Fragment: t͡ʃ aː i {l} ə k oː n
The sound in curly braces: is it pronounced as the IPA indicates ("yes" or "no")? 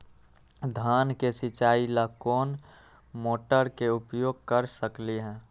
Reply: yes